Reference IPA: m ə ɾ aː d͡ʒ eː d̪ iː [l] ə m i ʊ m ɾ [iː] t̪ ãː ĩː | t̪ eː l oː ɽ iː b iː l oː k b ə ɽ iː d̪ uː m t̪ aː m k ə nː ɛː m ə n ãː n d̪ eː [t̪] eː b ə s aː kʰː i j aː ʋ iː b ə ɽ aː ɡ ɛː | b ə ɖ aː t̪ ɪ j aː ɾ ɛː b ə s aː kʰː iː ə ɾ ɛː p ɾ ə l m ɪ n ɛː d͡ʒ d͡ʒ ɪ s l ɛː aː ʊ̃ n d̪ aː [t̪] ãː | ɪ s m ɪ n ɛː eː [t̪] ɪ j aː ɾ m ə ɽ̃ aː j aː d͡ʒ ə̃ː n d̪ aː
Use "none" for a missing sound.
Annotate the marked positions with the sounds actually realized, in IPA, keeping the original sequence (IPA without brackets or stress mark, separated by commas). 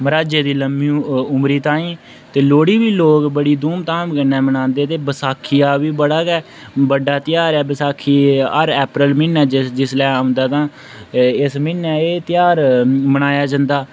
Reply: l, iː, t̪, t̪, t̪